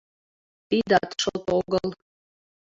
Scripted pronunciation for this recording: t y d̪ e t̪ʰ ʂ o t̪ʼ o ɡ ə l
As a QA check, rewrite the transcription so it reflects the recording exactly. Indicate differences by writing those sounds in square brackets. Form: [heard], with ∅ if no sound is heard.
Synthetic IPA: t [i] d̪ [a] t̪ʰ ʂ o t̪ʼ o ɡ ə l